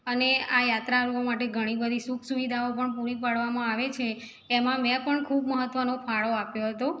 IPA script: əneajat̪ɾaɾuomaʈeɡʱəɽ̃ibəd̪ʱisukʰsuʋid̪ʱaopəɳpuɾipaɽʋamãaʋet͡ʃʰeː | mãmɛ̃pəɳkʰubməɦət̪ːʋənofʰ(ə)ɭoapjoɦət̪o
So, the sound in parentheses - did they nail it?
no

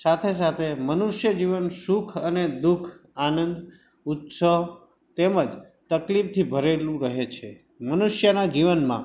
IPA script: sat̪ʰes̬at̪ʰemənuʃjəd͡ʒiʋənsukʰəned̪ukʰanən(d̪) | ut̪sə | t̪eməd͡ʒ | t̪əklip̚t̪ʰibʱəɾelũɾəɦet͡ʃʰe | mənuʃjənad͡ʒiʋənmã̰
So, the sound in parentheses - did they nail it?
yes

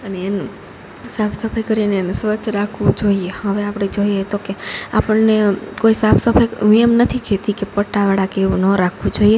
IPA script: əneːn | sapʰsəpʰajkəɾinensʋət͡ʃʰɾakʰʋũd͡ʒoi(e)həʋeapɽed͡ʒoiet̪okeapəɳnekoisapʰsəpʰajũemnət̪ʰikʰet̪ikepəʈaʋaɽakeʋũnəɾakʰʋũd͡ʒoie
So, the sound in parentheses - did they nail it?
yes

